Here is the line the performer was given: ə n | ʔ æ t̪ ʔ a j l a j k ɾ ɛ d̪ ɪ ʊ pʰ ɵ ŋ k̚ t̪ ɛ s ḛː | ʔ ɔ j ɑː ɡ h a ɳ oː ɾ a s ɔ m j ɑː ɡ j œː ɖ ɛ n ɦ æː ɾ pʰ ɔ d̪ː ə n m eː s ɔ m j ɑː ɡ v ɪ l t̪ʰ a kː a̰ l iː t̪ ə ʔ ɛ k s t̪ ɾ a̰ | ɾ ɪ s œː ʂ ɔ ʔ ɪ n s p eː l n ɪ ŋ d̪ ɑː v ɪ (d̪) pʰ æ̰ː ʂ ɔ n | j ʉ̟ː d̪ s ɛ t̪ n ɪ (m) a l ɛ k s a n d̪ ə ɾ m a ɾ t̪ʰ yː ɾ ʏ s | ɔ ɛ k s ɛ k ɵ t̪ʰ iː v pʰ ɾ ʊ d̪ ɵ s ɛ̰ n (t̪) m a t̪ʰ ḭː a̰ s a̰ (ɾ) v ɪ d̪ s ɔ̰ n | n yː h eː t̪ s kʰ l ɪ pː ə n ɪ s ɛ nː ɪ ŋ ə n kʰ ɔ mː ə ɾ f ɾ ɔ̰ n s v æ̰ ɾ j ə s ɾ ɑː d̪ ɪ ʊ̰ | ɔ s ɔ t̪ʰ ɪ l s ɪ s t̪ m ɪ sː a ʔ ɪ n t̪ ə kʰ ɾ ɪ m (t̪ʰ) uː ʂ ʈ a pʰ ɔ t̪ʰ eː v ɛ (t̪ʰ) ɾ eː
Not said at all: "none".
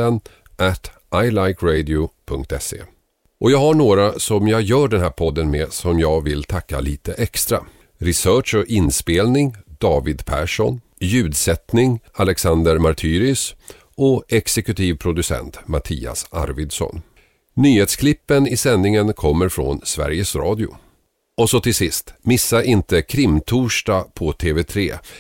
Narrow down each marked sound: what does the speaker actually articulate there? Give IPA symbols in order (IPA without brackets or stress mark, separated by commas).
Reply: d̪, ŋ, t̪, ɾ, t̪ʰ, t̪ʰ